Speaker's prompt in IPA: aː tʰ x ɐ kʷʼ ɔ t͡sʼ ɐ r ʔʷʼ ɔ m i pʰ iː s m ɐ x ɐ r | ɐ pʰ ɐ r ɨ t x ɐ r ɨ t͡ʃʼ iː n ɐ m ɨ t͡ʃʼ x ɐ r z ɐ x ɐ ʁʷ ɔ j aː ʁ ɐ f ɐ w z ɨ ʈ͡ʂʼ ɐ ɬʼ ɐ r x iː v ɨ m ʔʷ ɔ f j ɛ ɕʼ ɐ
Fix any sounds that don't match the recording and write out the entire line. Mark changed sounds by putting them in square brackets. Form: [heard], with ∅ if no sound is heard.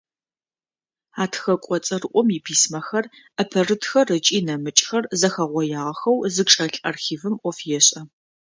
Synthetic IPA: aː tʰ x ɐ kʷʼ ɔ t͡sʼ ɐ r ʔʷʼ ɔ m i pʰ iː s m ɐ x ɐ r | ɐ pʰ ɐ r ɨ t x ɐ r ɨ t͡ʃʼ iː n ɐ m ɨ t͡ʃʼ x ɐ r z ɐ x ɐ ʁʷ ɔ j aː ʁ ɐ [x] ɐ w z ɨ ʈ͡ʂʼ ɐ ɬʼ ɐ r x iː v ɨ m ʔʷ ɔ f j ɛ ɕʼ ɐ

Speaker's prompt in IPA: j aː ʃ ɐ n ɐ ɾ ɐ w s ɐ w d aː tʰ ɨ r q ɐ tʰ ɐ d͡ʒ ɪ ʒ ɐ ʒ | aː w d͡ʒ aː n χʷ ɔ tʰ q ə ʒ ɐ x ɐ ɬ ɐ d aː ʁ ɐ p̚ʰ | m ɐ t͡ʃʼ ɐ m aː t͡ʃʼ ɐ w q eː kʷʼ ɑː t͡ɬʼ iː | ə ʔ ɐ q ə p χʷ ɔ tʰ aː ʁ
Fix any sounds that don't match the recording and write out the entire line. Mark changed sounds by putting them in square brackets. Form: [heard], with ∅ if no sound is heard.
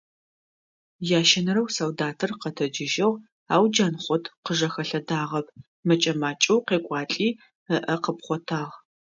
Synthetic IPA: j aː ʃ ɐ n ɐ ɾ ɐ w s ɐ w d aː tʰ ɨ r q ɐ tʰ ɐ d͡ʒ ɪ ʒ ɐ [ʁ] | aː w d͡ʒ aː n χʷ ɔ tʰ q ə ʒ ɐ x ɐ ɬ ɐ d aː ʁ ɐ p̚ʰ | m ɐ t͡ʃʼ ɐ m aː t͡ʃʼ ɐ w q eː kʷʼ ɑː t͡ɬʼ iː | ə ʔ ɐ q ə p χʷ ɔ tʰ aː ʁ

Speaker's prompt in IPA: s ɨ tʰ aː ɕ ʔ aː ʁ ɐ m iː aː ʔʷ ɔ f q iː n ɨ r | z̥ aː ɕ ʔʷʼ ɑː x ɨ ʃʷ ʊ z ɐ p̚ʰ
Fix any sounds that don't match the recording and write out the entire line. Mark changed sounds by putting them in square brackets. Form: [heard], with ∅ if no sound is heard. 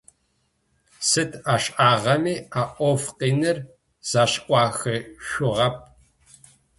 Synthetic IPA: s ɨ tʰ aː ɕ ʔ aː ʁ ɐ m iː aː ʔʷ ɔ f q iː n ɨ r | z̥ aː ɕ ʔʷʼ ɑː x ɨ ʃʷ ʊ [ʁ] ɐ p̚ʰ

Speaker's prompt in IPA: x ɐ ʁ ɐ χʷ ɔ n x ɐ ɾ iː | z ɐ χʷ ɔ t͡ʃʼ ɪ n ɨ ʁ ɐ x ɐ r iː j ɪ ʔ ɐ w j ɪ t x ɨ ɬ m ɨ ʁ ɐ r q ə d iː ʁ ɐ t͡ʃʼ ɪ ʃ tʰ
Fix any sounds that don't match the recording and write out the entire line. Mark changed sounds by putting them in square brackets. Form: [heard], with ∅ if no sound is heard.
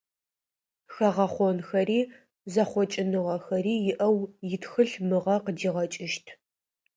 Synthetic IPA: x ɐ ʁ ɐ χʷ ɔ n x ɐ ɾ iː | z ɐ χʷ ɔ t͡ʃʼ ɪ n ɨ ʁ ɐ x ɐ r iː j ɪ ʔ ɐ w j ɪ t x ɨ ɬ m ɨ ʁ ɐ [∅] q ə d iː ʁ ɐ t͡ʃʼ ɪ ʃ tʰ

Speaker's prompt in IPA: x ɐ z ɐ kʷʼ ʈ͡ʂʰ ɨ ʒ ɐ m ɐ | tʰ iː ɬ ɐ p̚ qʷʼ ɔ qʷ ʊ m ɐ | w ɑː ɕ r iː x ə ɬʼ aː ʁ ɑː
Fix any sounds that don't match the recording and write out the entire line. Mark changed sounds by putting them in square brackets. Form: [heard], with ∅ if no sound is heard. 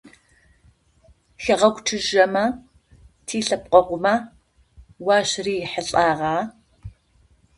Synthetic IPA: x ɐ [ʁ] ɐ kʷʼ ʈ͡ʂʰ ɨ ʒ ɐ m ɐ | tʰ iː ɬ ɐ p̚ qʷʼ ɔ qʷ ʊ m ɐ | w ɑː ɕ r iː [ħ] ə ɬʼ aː ʁ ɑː

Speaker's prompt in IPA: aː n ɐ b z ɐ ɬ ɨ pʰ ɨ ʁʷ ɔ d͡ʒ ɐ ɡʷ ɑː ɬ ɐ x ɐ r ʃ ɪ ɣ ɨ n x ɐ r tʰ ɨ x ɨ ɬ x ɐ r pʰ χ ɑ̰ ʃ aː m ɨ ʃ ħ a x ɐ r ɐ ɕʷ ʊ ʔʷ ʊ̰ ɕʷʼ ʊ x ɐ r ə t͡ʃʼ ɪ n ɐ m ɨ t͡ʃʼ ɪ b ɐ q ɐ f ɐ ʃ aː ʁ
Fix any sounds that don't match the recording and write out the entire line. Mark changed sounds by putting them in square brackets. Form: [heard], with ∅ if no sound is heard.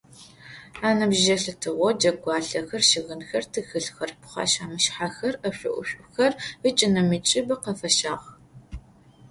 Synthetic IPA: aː n ɐ b [ʒ] ɐ ɬ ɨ [tʰ] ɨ ʁʷ ɔ d͡ʒ ɐ ɡʷ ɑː ɬ ɐ x ɐ r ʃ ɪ ɣ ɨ n x ɐ r tʰ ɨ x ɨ ɬ x ɐ r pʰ χ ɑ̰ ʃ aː m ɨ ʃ ħ a x ɐ r ɐ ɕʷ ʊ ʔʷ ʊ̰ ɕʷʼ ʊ x ɐ r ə t͡ʃʼ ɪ n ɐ m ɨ t͡ʃʼ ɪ b ɐ q ɐ f ɐ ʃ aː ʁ

